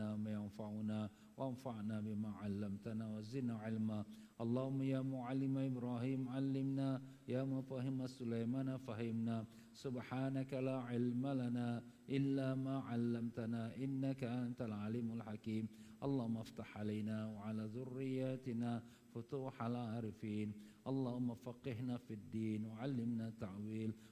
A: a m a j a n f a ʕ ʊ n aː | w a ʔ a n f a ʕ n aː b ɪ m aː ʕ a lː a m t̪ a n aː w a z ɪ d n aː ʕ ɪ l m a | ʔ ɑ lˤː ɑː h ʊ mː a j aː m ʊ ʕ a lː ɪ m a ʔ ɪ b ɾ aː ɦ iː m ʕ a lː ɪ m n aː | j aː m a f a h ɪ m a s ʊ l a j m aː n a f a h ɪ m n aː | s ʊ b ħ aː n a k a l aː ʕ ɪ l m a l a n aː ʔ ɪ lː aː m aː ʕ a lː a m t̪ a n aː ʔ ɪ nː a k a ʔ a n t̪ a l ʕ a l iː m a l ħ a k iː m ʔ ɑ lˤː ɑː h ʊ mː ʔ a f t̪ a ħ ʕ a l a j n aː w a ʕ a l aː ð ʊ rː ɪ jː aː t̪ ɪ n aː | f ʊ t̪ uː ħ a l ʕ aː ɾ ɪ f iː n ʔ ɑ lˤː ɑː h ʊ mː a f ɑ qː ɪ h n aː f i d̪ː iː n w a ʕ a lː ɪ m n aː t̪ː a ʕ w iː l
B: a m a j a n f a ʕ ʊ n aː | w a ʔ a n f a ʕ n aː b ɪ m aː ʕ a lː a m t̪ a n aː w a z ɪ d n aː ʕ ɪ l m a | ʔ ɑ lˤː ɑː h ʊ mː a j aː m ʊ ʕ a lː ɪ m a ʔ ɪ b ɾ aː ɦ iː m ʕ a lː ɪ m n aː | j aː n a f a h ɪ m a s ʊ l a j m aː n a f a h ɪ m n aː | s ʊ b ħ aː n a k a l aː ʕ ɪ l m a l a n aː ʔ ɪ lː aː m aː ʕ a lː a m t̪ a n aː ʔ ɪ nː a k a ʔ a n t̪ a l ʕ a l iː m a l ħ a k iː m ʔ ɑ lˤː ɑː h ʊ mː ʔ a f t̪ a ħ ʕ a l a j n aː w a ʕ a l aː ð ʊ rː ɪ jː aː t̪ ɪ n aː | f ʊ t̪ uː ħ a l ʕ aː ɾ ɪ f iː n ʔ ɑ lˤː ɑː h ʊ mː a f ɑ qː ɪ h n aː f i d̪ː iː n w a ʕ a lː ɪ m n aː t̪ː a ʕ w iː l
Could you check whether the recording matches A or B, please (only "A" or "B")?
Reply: A